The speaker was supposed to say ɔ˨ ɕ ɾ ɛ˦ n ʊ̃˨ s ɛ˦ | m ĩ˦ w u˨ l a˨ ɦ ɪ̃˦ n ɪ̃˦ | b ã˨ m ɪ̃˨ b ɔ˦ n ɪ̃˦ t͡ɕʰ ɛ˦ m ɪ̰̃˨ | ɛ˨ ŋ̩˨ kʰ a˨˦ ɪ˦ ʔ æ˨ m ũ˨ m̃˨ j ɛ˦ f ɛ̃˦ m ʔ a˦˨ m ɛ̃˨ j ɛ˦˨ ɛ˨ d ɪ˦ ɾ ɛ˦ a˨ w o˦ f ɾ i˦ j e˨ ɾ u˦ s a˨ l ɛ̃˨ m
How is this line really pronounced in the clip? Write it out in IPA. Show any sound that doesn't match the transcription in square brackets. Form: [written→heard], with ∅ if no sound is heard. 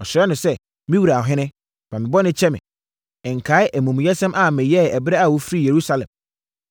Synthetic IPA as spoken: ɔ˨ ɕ ɾ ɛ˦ n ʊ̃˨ s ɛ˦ | m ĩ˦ w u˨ [l→ɾ] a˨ ɦ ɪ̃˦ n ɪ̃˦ | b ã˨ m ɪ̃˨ b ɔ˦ n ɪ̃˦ t͡ɕʰ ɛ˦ m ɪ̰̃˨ | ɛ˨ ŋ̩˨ kʰ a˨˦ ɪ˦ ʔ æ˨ m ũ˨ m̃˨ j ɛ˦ [f→s] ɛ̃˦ m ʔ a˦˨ m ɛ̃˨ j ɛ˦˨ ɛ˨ [d→b] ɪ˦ ɾ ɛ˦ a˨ w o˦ f ɾ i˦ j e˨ ɾ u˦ s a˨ l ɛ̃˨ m